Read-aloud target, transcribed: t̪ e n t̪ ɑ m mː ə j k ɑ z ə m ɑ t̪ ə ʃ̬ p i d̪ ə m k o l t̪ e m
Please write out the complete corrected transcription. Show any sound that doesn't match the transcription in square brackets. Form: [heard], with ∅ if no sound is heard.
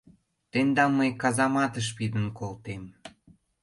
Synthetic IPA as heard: t̪ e n [d̪] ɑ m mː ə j k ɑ z [ɑ] m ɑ t̪ ə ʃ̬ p i d̪ ə [n] k o l t̪ e m